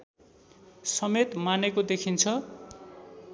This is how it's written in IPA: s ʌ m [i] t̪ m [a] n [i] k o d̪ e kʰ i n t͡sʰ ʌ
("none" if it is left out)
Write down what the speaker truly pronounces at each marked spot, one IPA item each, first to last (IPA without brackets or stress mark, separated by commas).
e, a, e